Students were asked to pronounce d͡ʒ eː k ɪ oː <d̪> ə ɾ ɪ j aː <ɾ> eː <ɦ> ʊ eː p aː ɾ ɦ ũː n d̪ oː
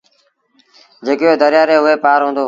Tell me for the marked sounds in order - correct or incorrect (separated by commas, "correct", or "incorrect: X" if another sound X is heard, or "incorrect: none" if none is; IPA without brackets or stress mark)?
correct, correct, correct